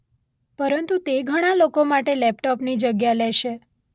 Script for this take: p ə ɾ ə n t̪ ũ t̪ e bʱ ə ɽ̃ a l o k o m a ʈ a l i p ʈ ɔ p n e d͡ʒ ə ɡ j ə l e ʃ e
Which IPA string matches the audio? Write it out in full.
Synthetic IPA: p ə ɾ ə n t̪ u t̪ e ɡʱ ə ɽ̃ a l o k o m a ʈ e l ɛ p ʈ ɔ p n i d͡ʒ ə ɡ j a l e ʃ e